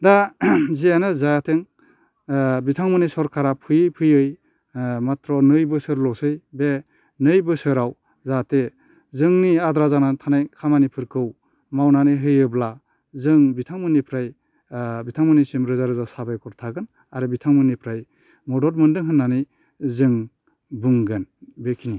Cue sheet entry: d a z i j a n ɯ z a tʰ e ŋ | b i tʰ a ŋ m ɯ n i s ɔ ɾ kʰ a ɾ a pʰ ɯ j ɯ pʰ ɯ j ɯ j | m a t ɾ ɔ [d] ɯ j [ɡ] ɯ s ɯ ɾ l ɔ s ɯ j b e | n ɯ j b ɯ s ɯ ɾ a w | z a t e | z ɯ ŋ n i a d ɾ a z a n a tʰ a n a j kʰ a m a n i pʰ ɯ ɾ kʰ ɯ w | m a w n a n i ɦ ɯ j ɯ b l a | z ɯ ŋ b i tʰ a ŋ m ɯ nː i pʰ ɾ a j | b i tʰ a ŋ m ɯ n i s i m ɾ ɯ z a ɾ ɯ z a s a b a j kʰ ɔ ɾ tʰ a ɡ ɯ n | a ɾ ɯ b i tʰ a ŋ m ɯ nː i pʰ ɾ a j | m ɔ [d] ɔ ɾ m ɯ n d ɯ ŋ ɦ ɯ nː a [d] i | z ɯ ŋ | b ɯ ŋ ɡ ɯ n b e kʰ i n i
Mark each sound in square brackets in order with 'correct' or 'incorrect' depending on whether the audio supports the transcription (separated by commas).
incorrect, incorrect, correct, incorrect